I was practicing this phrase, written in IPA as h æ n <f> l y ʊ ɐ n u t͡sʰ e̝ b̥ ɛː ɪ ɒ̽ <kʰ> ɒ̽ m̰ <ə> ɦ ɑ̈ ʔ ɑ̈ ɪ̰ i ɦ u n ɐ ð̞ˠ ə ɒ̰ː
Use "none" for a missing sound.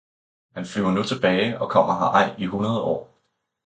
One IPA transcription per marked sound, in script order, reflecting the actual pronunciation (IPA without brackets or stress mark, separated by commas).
f, kʰ, ɐ